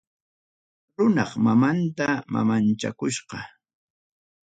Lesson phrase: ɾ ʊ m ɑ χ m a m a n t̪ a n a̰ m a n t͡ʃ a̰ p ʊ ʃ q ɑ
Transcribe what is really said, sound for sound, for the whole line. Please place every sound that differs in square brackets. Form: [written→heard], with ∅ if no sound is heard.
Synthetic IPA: ɾ ʊ [m→n] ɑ χ m a m a n t̪ a [n→m] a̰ m a n t͡ʃ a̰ [p→k] ʊ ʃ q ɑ